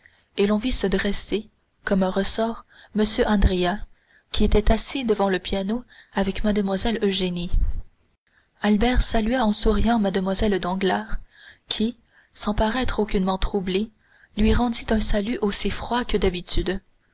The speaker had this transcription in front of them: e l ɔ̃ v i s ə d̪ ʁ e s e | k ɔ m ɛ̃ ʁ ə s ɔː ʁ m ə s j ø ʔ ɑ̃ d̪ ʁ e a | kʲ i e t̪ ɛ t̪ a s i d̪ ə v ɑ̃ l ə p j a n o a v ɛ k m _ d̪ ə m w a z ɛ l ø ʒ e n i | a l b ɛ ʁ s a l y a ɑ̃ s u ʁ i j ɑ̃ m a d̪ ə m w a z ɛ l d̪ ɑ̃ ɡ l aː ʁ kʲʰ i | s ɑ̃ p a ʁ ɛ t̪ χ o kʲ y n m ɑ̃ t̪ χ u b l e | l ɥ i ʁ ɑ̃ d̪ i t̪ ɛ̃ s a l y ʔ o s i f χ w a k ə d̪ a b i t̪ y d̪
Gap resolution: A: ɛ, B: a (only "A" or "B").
B